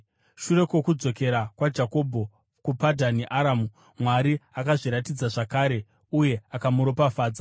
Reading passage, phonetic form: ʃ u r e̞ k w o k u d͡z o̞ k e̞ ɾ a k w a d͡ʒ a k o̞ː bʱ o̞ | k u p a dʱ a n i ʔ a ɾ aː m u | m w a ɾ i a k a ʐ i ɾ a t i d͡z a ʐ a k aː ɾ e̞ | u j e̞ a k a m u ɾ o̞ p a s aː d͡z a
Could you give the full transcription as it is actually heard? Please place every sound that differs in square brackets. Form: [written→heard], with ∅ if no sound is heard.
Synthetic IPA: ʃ u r e̞ k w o k u d͡z o̞ k e̞ ɾ a k w a d͡ʒ a k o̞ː bʱ o̞ | k u p a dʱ a n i ʔ a ɾ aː m u | m w a ɾ i a k a ʐ i ɾ a t i d͡z a ʐ a k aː ɾ e̞ | u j e̞ a k a m u ɾ o̞ p a [s→f] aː d͡z a

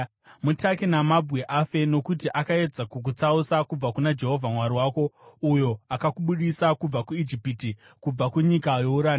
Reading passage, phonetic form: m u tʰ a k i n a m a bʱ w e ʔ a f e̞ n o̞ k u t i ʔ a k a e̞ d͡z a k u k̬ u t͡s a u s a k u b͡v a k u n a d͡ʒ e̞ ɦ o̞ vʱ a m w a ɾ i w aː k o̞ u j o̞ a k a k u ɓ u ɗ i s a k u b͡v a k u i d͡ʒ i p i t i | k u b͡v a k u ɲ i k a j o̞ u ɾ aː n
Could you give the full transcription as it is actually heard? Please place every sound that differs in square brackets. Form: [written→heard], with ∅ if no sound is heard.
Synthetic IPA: m u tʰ a k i n a m a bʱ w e ʔ a f e̞ n o̞ k u t i ʔ a k a e̞ d͡z a k u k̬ u t͡s a u s a k u b͡v a k u n a d͡ʒ e̞ ɦ o̞ vʱ a m w a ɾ i w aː k o̞ u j o̞ a k a k u ɓ u ɗ i s a k u b͡v a k u i d͡ʒ i p i t i | k u b͡v a k u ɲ i k a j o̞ u ɾ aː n

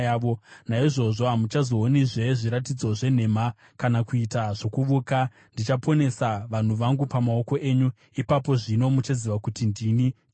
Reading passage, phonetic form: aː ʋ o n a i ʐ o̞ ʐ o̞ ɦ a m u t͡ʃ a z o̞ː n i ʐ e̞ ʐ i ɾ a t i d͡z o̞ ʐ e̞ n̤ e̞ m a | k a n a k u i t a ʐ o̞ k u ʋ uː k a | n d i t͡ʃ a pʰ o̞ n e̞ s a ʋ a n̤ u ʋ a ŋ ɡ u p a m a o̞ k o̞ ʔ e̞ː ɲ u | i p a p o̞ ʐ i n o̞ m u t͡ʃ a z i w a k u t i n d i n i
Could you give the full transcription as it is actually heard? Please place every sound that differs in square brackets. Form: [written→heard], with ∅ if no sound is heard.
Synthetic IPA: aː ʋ o n a i ʐ o̞ ʐ o̞ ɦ a m u t͡ʃ a z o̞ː n i ʐ e̞ ʐ i ɾ a t i d͡z o̞ ʐ e̞ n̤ e̞ m a | k a n a k u i t a ʐ o̞ k u ʋ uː k a | n d i t͡ʃ a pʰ o̞ n e̞ s a ʋ a n̤ u ʋ a ŋ ɡ u p a m a o̞ k o̞ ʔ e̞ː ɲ u | i p a p o̞ ʐ i n o̞ m u t͡ʃ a z i [w→ʋ] a k u t i n d i n i

